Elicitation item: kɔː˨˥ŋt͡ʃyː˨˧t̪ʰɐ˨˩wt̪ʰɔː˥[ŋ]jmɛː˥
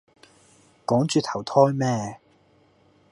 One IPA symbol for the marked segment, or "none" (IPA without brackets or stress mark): none